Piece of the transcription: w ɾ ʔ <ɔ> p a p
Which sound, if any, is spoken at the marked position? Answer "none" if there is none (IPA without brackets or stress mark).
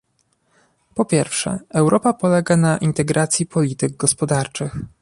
ɔ